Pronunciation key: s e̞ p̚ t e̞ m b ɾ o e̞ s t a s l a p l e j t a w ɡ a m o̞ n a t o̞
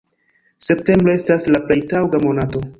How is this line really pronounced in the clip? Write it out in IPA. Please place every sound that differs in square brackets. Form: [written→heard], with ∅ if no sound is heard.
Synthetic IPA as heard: s e̞ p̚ t e̞ m b ɾ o e̞ s t a s l a p l e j t a w ɡ a m o̞ n a t o̞